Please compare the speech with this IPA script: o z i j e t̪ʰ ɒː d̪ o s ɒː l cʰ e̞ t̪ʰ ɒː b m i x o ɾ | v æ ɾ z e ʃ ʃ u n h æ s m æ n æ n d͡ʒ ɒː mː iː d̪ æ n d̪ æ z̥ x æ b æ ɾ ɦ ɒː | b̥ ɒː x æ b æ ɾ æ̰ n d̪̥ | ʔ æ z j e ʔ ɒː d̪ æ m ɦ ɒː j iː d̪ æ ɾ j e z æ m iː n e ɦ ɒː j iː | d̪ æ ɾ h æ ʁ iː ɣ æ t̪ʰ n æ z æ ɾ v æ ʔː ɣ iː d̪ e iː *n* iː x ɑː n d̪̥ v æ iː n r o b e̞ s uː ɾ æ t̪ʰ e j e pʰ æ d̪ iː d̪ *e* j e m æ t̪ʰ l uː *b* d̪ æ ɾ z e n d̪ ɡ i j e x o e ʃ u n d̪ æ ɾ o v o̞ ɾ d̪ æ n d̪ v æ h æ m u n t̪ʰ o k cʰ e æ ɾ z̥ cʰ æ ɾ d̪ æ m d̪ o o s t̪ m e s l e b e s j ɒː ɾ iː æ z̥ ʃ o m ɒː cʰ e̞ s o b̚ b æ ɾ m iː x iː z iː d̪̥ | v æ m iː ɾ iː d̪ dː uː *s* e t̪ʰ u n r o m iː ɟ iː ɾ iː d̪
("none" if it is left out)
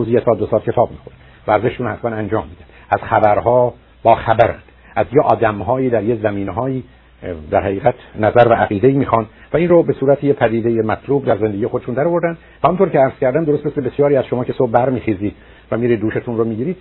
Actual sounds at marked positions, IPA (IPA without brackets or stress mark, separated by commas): m, e, b, ʃ